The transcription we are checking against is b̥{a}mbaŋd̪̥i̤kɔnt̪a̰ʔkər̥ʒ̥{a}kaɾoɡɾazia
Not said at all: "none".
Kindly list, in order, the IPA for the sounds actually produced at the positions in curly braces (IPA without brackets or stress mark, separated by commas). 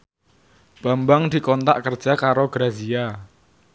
a, a